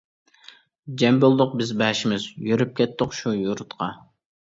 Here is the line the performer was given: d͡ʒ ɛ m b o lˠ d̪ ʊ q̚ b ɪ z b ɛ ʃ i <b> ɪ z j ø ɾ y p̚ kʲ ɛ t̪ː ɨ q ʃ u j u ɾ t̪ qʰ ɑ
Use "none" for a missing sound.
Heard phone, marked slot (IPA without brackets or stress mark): m